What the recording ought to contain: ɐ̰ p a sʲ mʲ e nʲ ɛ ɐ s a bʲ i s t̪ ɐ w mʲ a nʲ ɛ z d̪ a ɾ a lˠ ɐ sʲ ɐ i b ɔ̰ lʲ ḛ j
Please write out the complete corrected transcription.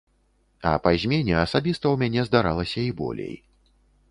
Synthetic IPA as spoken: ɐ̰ p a zʲ mʲ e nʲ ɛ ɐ s a bʲ i s t̪ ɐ w mʲ a nʲ ɛ z d̪ a ɾ a lˠ ɐ sʲ ɐ i b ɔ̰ lʲ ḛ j